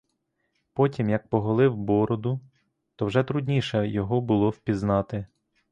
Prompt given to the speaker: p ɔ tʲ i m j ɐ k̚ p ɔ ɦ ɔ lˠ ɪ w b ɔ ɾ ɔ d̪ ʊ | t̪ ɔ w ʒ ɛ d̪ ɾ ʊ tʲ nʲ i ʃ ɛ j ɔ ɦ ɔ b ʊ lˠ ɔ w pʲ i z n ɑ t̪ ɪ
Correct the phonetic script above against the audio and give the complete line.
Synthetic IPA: p ɔ tʲ i m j ɐ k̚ p ɔ ɦ ɔ lˠ ɪ w b ɔ ɾ ɔ d̪ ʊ | t̪ ɔ w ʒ ɛ t̪ ɾ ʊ dʲ nʲ i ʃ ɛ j ɔ ɦ ɔ b ʊ lˠ ɔ w pʲ i z n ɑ t̪ ɪ